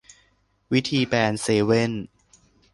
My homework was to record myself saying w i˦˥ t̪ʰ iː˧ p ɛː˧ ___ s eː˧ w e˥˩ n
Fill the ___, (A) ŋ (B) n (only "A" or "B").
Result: B